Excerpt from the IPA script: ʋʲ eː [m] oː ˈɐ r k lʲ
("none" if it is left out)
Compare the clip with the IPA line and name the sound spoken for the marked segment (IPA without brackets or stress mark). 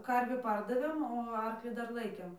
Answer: m